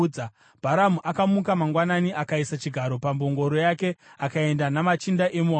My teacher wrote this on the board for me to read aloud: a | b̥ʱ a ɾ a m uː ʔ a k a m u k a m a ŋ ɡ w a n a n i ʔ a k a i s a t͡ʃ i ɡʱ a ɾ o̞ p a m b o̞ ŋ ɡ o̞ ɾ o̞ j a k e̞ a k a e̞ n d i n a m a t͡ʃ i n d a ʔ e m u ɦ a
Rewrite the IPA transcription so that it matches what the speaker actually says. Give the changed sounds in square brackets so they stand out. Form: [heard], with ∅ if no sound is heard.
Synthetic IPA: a | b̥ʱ a ɾ a m [u] ʔ a k a m u k a m a ŋ ɡ w a n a n i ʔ a k a i s a t͡ʃ i ɡʱ a ɾ o̞ p a m b o̞ ŋ ɡ o̞ ɾ o̞ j a k e̞ a k a e̞ n d [a] n a m a t͡ʃ i n d a ʔ e m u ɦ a